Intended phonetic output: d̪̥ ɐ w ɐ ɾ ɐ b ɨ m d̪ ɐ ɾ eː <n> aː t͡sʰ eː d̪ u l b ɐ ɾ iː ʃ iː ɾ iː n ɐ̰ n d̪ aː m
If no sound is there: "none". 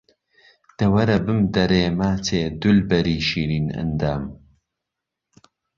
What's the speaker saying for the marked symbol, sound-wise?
m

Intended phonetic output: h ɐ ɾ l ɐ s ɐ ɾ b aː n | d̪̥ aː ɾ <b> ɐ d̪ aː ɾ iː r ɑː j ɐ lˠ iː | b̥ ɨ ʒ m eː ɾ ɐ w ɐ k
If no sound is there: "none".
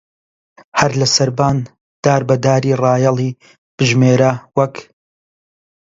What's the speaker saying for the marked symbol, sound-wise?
b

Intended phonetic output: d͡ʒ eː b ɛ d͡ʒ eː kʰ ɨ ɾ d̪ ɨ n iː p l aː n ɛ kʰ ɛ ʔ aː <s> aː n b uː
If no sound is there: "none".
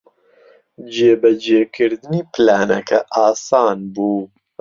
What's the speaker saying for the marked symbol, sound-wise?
s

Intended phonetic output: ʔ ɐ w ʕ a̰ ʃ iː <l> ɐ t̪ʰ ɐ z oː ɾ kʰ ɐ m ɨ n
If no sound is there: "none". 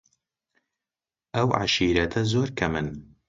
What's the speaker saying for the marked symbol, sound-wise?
ɾ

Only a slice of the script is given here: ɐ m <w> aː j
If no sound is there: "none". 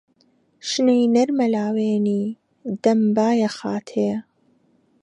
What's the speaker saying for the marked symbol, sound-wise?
b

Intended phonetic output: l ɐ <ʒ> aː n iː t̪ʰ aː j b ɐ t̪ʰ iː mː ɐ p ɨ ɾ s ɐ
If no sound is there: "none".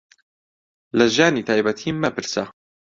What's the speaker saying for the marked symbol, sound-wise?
ʒ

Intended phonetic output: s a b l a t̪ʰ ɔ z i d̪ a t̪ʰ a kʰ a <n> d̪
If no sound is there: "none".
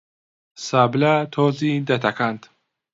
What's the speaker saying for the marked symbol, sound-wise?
n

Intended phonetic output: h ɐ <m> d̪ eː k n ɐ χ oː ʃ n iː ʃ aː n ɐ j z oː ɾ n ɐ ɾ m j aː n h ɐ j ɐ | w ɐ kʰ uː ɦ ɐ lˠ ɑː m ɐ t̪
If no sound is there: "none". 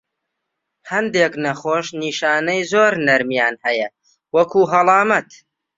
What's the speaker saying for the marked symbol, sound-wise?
n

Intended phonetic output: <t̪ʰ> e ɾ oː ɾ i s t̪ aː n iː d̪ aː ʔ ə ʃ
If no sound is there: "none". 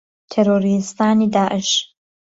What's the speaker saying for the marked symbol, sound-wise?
t̪ʰ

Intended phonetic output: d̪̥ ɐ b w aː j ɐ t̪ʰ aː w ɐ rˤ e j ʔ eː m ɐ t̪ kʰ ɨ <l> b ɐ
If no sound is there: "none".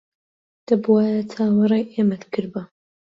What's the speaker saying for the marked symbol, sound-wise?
ɾ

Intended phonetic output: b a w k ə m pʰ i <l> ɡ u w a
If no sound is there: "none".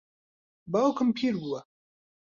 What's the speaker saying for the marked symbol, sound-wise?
ɾ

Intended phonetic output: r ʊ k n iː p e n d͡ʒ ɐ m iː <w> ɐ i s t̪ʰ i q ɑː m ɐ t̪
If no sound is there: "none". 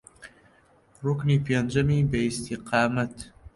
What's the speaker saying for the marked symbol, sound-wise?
b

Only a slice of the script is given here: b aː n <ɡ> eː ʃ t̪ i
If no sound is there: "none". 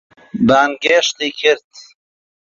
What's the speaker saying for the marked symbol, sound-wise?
ɡ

